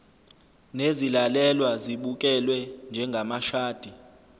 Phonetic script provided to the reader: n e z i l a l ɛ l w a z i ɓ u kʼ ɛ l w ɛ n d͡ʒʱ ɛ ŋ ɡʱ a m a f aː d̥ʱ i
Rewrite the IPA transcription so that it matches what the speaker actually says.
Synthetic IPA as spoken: n e z i l a l ɛ l w a z i ɓ u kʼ ɛ l w ɛ n d͡ʒʱ ɛ ŋ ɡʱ a m a ʃ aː d̥ʱ i